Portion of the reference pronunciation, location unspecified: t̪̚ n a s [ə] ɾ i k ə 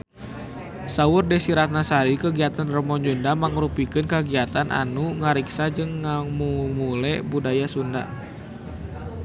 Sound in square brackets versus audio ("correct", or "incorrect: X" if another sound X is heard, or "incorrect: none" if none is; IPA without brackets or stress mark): incorrect: a